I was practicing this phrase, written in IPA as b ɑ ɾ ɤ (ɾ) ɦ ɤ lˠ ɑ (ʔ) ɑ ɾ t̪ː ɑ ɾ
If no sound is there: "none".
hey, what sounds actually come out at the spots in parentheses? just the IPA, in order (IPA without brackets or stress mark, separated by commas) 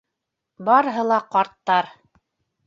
none, q